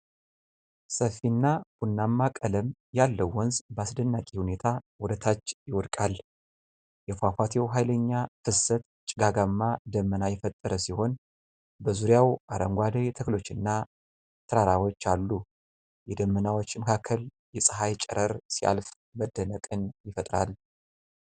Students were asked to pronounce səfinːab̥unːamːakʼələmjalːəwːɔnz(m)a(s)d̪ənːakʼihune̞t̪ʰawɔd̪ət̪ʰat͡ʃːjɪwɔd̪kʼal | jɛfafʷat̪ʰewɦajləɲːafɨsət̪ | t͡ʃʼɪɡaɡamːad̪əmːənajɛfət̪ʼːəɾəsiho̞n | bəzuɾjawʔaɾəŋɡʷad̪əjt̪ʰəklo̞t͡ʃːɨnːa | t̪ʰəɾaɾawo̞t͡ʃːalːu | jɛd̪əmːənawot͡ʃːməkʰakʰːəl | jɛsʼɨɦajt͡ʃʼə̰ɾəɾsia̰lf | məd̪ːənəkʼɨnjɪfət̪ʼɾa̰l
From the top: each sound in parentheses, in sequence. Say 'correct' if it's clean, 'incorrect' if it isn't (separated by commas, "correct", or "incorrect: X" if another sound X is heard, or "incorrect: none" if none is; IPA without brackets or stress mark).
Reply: incorrect: b, correct